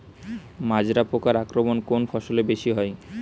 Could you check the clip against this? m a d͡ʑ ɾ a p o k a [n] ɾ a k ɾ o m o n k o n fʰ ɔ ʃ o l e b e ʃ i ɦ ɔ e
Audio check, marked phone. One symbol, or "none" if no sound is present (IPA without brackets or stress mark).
none